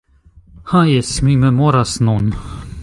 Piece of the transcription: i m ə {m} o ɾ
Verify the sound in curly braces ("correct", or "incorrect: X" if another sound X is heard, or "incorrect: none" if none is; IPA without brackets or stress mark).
correct